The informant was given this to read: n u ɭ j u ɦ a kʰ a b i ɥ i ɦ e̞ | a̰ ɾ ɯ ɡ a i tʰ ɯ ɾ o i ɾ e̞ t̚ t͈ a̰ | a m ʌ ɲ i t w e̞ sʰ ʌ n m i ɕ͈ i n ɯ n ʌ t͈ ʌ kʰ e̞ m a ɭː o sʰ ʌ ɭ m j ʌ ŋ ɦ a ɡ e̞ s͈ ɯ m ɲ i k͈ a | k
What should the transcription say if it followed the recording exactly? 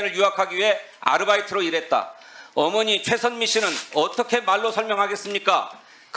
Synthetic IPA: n ɯ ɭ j u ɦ a kʰ a ɡ i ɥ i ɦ e̞ | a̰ ɾ ɯ b a i tʰ ɯ ɾ o i ɾ e̞ t̚ t͈ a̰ | ʌ m ʌ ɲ i t͡ɕʰ w e̞ sʰ ʌ n m i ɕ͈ i n ɯ n ʌ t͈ ʌ kʰ e̞ m a ɭː o sʰ ʌ ɭ m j ʌ ŋ ɦ a ɡ e̞ s͈ ɯ m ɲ i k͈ a | k